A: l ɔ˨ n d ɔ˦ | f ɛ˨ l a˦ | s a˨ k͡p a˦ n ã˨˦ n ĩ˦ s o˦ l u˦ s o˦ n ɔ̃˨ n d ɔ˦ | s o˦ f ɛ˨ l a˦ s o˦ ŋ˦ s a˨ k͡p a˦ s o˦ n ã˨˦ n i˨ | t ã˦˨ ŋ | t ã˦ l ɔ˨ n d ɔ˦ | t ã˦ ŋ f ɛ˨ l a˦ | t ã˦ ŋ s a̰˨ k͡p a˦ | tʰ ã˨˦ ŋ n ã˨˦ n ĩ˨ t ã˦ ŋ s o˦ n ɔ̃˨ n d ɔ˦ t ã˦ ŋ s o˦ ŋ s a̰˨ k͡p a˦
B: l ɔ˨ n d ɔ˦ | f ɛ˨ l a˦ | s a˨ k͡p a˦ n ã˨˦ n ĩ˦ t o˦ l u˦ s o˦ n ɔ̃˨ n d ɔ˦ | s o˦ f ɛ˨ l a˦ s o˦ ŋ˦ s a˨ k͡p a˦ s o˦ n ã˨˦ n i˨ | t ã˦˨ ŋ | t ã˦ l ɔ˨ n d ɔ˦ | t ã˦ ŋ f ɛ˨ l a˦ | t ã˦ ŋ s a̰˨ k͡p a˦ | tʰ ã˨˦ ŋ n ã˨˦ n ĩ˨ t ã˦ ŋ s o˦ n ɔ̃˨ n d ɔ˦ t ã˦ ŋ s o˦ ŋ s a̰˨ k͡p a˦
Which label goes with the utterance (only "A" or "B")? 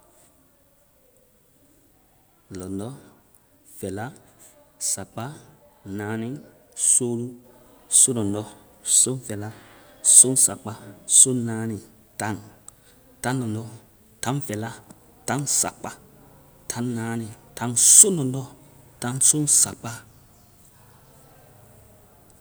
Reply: A